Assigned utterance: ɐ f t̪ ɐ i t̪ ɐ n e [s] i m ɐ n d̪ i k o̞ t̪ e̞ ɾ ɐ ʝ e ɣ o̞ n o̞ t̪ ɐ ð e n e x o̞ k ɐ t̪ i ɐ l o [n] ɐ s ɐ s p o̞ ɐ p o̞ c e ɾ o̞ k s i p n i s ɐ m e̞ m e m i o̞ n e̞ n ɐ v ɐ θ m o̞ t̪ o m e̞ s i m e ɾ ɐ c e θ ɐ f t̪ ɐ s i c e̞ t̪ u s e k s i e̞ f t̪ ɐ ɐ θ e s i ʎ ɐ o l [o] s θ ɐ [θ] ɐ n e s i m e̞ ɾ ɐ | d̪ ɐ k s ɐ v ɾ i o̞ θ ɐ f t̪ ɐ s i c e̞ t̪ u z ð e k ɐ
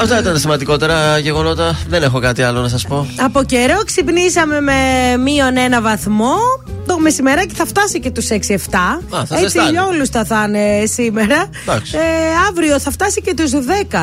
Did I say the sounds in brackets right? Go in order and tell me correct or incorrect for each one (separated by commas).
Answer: correct, correct, incorrect, correct